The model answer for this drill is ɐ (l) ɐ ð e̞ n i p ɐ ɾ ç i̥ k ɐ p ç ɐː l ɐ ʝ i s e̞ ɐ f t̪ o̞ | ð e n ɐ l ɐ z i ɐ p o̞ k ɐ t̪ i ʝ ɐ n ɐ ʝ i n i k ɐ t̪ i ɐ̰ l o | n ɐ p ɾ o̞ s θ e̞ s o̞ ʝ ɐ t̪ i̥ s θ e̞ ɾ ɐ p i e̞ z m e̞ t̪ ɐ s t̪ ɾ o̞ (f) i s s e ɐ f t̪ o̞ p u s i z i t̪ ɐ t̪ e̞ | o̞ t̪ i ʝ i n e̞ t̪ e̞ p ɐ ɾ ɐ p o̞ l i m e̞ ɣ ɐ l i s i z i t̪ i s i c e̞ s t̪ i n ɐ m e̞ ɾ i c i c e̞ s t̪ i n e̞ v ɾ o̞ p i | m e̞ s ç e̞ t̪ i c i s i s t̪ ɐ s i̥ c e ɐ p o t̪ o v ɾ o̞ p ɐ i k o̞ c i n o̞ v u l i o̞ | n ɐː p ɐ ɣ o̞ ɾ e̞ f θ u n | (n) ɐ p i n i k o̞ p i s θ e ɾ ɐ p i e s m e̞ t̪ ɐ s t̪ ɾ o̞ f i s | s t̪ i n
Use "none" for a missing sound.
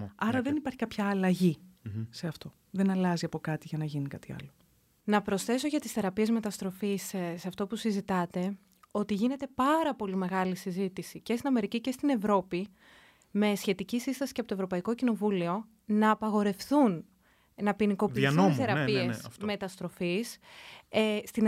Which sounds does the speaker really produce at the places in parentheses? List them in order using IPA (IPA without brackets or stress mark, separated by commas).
ɾ, f, n